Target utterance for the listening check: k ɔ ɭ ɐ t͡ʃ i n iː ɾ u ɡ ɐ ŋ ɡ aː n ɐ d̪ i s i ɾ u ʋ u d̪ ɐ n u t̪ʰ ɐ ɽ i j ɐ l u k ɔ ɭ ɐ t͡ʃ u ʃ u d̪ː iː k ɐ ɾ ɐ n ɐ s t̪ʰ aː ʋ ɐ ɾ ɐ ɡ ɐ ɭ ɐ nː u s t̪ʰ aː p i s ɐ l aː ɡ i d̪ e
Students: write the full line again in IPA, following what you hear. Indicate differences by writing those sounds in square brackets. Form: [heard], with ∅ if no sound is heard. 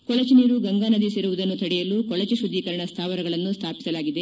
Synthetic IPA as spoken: k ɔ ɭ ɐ t͡ʃ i n iː ɾ u ɡ ɐ ŋ ɡ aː n ɐ d̪ i s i ɾ u ʋ u d̪ ɐ [nː] u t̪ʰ ɐ ɽ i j ɐ l u k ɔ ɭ ɐ t͡ʃ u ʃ u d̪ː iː k ɐ ɾ ɐ [ɳ] ɐ s t̪ʰ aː ʋ ɐ ɾ ɐ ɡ ɐ ɭ ɐ nː u s t̪ʰ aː p i s ɐ l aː ɡ i d̪ e